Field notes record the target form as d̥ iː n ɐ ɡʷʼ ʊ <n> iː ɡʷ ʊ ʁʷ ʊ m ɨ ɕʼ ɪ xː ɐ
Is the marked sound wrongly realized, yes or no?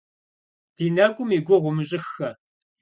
yes